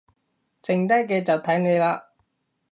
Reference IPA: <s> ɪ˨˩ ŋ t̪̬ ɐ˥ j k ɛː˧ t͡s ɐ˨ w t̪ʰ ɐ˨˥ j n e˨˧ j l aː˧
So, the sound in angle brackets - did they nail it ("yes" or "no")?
no